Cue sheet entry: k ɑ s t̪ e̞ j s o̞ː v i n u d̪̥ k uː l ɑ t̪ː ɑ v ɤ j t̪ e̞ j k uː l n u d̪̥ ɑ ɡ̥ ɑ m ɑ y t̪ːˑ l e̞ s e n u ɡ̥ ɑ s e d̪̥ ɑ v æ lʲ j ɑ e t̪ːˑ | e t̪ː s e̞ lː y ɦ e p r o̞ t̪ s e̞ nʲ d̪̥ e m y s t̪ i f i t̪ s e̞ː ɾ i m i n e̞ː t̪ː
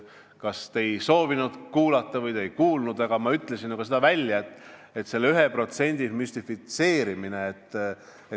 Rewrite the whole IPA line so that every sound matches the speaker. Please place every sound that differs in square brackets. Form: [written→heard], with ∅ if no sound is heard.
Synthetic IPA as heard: k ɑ s t̪ e̞ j s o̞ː v i n u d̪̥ k uː l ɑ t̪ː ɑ v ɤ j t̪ e̞ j k uː l n u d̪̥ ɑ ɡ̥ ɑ m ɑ y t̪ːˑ l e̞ s [e→i] n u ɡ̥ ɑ s e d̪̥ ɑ v æ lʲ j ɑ e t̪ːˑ | e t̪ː s e̞ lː y ɦ e p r o̞ t̪ s e̞ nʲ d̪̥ [e→i] m y s t̪ i f i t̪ s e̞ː ɾ i m i n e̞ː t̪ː